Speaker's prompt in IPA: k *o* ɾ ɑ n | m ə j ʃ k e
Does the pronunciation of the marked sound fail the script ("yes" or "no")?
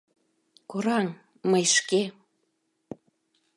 no